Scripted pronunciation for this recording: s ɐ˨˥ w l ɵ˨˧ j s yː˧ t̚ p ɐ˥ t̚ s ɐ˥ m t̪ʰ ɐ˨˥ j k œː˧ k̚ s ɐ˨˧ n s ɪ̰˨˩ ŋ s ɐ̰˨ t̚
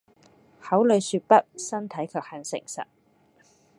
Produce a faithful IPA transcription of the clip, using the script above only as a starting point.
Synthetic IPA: h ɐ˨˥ w l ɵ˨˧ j s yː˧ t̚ p ɐ˥ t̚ s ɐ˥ n t̪ʰ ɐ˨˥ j kʰ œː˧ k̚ h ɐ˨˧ n s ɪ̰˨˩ ŋ s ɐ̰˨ t̚